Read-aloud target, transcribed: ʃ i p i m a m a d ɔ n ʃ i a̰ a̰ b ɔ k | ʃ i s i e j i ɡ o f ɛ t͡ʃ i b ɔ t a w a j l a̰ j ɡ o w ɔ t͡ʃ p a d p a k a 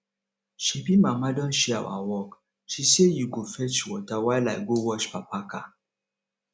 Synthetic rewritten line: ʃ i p i m a m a d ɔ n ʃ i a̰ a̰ w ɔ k | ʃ i s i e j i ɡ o f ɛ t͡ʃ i w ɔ t a w a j l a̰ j ɡ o w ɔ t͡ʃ p a p a k a